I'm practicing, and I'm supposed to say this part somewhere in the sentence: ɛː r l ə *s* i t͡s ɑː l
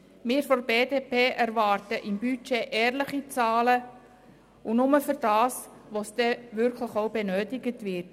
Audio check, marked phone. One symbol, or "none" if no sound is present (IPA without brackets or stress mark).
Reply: χ